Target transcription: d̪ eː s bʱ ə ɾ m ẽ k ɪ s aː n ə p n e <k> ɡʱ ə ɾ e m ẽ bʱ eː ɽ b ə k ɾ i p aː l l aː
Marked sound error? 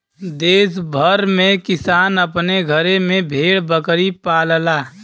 yes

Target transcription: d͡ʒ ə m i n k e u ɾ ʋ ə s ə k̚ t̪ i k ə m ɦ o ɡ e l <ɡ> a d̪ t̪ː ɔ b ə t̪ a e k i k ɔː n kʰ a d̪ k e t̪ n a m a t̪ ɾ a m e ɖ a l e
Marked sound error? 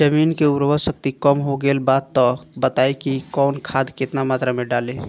yes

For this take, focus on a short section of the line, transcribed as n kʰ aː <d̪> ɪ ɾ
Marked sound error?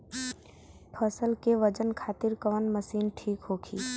yes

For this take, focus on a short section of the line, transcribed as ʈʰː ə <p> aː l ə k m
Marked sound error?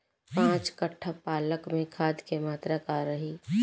no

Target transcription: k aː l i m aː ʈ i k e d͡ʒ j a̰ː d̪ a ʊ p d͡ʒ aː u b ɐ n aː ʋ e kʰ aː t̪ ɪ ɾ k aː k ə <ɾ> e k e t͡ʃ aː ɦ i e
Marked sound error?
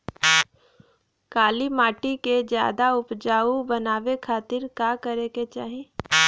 no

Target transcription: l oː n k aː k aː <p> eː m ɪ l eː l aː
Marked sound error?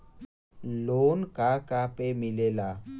no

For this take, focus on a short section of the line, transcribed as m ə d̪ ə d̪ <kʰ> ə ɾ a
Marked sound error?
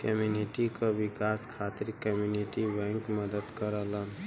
yes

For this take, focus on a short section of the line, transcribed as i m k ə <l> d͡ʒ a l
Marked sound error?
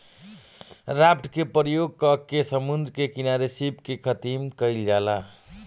no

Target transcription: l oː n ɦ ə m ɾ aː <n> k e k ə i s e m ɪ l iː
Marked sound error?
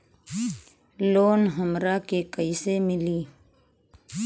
yes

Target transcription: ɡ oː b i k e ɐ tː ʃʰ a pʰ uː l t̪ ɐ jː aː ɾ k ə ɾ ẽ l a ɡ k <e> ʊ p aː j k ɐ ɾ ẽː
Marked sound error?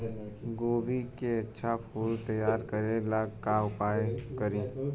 yes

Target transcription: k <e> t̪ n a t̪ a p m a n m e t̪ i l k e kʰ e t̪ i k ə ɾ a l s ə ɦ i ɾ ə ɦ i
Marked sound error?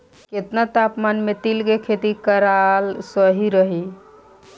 no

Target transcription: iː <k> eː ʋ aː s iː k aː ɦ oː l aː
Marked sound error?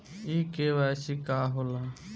no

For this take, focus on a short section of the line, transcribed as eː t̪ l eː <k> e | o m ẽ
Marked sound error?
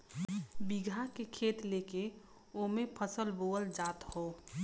no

